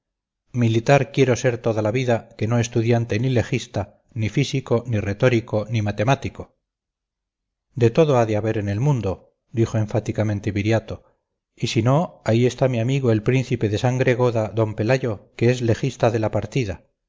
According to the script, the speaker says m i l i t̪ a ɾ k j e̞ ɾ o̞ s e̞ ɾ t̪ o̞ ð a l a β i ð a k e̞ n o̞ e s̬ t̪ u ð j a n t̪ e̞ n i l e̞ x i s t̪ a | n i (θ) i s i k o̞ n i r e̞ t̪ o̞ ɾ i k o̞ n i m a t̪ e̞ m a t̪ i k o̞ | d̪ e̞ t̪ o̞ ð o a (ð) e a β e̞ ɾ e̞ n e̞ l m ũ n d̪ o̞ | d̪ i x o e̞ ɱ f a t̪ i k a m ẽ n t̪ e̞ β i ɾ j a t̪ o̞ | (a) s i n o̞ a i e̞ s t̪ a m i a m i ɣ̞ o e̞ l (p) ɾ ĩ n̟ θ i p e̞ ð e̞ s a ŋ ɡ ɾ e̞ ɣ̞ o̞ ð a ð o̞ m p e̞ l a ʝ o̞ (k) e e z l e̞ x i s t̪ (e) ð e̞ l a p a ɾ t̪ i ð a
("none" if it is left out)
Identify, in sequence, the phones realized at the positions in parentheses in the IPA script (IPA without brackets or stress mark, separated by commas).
f, ð, i, p, k, a